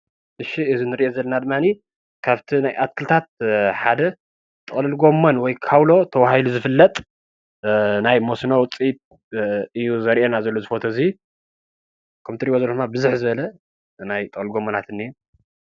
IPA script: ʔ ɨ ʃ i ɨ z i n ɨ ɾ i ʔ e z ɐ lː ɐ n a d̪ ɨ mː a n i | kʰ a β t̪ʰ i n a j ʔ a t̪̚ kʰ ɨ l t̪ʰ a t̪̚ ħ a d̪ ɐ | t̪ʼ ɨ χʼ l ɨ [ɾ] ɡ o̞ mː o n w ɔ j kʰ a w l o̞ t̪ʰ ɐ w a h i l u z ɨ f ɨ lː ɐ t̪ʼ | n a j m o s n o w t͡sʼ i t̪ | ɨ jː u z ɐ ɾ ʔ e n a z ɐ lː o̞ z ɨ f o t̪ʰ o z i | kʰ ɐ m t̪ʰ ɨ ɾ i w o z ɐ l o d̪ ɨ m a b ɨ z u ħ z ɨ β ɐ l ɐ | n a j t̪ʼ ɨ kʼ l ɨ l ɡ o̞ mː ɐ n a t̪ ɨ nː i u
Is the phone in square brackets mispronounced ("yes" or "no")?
yes